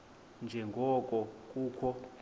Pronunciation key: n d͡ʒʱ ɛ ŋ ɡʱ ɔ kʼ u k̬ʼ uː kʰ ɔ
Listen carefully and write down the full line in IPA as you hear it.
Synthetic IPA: n d͡ʒʱ ɛ ŋ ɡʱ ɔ kʼ ɔ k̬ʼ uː kʰ ɔ